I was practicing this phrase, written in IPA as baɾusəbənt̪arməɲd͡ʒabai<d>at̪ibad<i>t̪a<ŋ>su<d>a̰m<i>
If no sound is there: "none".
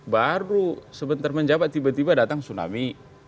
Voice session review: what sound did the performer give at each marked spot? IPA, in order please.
b, a, ŋ, n, i

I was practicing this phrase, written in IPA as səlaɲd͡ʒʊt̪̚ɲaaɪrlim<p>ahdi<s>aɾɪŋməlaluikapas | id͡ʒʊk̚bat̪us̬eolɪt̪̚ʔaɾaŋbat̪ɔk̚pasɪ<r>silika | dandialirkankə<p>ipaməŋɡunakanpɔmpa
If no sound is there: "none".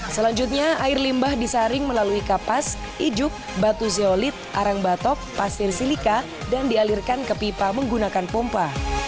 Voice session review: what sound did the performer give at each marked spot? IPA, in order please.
b, s, r, p

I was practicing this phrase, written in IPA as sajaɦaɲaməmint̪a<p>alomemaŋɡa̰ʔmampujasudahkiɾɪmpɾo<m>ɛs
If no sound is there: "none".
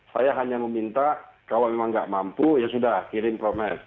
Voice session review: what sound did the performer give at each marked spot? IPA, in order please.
k, m

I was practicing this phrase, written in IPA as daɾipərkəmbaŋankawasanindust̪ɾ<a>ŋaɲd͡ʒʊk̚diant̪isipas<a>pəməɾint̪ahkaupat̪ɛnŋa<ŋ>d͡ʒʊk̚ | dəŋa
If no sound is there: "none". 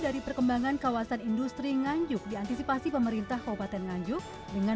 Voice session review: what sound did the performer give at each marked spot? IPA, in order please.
i, i, ɲ

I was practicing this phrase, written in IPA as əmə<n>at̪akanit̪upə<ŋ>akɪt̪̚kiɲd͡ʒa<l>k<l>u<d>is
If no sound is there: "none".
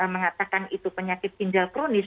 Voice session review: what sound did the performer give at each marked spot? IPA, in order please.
ŋ, ɲ, l, ɾ, n

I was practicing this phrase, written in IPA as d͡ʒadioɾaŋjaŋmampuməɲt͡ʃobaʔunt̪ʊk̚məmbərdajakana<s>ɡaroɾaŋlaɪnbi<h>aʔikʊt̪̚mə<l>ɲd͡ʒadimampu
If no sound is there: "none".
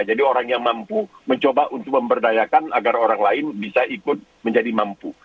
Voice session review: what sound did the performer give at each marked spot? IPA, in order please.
none, s, none

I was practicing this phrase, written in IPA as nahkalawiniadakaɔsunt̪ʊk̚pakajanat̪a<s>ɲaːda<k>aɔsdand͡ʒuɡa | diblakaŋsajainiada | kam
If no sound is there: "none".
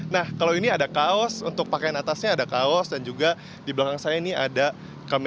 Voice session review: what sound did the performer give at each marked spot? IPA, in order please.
s, k

